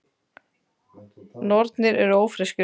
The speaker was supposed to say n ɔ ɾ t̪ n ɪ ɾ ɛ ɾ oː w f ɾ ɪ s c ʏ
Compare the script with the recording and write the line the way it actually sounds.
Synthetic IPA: n ɔ ɾ t̪ n ɪ ɾ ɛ ɾ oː w f ɾ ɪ s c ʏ